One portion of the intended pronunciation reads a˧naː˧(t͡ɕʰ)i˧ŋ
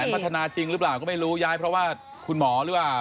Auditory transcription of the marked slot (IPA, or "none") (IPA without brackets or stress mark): t͡ɕ